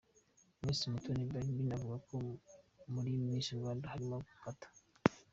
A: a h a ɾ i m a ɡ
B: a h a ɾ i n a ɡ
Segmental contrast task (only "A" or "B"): A